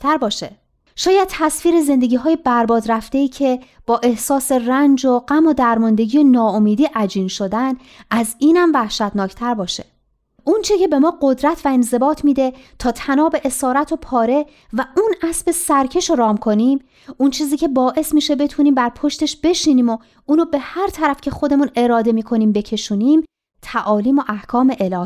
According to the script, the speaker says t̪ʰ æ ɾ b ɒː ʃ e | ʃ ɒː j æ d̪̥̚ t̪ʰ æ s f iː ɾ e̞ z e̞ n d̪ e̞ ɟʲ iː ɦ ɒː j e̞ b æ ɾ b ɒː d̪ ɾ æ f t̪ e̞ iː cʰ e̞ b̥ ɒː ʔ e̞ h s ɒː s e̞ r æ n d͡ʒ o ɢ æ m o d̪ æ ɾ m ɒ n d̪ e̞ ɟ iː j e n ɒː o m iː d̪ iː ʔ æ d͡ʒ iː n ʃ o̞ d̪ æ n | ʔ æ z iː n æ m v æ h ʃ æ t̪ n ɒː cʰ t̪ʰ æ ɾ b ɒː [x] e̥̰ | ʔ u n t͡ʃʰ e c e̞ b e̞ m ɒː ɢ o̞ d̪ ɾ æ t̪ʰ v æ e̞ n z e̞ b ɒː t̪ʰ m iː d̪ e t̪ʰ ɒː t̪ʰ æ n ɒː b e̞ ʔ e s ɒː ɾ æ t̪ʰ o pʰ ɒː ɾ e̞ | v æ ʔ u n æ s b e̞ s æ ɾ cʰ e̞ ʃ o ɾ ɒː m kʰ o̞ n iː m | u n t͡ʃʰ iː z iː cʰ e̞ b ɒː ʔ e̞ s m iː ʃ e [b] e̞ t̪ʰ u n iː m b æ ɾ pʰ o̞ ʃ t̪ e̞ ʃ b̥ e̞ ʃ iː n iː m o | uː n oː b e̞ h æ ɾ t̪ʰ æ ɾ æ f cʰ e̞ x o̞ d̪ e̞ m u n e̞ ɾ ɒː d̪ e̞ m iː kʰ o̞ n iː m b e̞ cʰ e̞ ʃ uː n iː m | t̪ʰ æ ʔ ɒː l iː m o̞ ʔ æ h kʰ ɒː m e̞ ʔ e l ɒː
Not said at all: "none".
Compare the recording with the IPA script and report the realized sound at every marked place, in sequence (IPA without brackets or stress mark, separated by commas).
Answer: ʃ, b